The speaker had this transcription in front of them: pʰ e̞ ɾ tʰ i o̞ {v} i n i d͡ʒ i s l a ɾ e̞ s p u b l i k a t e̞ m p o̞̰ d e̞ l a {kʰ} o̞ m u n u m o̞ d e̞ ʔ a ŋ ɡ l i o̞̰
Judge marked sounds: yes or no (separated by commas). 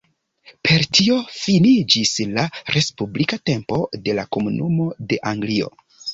no, no